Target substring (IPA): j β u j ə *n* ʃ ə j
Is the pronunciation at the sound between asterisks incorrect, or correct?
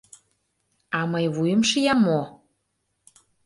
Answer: incorrect